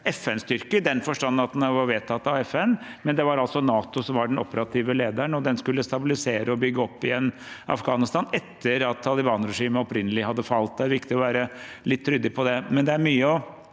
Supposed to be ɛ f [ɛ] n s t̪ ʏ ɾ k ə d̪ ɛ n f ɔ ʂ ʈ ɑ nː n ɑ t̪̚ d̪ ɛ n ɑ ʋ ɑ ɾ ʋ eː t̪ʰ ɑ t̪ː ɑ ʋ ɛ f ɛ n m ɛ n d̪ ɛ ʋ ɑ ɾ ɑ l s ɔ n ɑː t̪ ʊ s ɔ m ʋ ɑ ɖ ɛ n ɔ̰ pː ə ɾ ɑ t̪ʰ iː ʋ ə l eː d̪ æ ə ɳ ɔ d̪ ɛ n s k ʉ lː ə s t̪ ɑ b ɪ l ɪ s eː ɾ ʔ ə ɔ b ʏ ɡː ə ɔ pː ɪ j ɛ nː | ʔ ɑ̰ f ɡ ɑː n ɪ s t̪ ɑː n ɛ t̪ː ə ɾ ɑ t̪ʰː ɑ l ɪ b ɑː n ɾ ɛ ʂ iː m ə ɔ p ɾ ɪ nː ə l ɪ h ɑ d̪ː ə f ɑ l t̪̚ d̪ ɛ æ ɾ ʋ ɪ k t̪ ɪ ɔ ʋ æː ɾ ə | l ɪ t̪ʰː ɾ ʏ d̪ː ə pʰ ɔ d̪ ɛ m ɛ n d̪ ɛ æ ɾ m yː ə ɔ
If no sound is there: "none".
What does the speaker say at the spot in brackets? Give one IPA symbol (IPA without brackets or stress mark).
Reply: ɛ